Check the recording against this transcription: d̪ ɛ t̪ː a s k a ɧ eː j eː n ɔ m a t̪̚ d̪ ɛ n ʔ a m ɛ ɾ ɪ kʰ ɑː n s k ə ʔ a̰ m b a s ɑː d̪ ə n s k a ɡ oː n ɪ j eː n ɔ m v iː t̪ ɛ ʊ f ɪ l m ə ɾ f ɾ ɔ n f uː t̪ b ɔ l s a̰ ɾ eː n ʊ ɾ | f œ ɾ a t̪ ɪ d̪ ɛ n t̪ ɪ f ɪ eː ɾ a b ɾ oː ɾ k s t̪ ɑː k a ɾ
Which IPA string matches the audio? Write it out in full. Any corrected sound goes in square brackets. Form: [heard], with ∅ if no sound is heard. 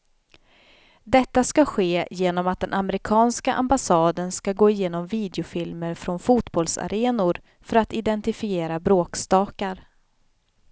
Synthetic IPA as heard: d̪ ɛ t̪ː a s k a ɧ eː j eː n ɔ m a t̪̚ d̪ ɛ n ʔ a m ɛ ɾ ɪ kʰ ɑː n s k [a] ʔ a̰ m b a s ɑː d̪ ə n s k a ɡ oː [∅] ɪ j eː n ɔ m v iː [d̪] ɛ ʊ f ɪ l m ə ɾ f ɾ ɔ n f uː t̪ b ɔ l s a̰ ɾ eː n ʊ ɾ | f œ ɾ a t̪ ɪ d̪ ɛ n t̪ ɪ f ɪ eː ɾ a b ɾ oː [∅] k s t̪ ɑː k a ɾ